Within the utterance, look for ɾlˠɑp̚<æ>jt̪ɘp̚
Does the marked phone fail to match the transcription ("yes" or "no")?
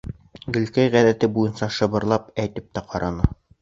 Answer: no